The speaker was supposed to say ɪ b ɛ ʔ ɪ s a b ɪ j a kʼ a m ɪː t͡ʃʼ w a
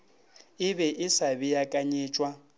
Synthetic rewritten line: ɪ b ɛ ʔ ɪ s a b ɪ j a kʼ a ɲ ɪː t͡ʃʼ w a